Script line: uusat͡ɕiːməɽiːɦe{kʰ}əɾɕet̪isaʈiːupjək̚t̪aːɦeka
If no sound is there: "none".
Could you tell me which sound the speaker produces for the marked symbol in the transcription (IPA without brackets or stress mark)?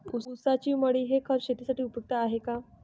kʰ